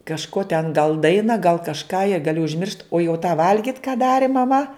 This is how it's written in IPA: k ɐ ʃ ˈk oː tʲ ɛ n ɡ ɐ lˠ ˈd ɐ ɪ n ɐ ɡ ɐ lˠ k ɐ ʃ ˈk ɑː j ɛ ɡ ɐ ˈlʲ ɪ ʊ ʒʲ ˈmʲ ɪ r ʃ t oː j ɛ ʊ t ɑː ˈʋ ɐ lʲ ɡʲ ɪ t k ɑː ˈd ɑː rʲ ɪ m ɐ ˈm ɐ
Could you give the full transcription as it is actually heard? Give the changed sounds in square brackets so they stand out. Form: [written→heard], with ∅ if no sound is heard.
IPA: k ɐ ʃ ˈk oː tʲ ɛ n ɡ ɐ lˠ ˈd ɐ ɪ n ɐ ɡ ɐ lˠ k ɐ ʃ ˈk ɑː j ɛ ɡ ɐ ˈlʲ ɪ ʊ ʒʲ ˈmʲ ɪ r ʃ t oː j ɛ ʊ t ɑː ˈʋ ɐ lʲ ɡʲ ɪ t k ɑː ˈd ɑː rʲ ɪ m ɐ ˈm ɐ